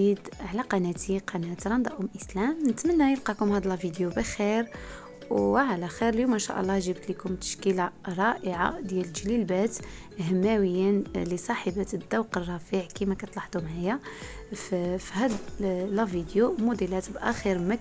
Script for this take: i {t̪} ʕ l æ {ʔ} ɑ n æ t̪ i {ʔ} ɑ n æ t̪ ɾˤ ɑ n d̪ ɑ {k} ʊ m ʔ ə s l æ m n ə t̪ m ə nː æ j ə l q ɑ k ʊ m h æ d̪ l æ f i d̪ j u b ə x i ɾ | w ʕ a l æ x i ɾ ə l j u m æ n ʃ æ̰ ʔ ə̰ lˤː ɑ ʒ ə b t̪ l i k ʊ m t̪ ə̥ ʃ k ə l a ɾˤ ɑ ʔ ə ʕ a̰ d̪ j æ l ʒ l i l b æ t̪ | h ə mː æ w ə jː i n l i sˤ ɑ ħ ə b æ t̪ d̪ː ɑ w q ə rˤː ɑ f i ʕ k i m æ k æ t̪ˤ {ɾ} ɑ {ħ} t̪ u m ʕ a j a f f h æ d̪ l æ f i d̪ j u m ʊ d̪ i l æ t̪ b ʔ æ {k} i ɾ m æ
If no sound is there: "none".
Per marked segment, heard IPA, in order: d̪, q, q, ʔ, l, ħ, x

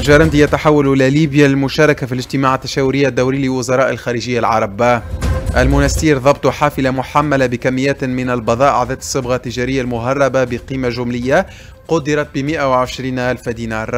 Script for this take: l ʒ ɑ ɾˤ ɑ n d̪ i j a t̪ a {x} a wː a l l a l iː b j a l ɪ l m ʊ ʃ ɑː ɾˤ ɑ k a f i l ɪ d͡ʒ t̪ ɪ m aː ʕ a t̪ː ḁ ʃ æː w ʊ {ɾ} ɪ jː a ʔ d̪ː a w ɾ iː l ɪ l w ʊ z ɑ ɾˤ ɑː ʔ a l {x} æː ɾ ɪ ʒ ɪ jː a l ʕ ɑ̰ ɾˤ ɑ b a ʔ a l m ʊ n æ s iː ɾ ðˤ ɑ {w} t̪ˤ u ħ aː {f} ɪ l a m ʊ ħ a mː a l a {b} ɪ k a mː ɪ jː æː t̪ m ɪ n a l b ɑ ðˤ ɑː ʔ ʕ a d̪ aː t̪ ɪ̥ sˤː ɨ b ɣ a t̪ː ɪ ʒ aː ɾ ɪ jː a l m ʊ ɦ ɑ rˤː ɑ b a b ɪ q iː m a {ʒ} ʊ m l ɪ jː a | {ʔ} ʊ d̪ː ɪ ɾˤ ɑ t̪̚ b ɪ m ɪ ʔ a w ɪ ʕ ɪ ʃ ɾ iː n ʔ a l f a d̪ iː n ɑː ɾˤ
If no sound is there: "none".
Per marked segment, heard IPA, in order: ħ, ɾ, x, b, f, b, ʒ, q

